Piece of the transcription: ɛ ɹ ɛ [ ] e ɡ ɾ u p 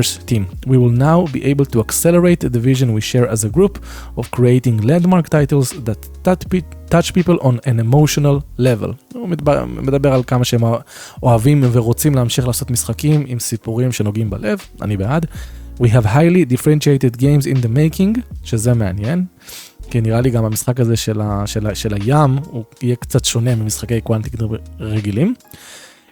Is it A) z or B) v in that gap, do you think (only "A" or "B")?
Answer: A